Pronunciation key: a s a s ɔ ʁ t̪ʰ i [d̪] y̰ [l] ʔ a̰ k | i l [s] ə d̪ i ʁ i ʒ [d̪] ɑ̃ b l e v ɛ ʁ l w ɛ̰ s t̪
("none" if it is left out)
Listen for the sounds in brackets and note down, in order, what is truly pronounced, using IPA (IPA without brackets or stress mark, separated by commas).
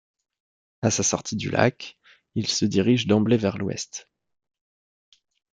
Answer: d̪, l, s, d̪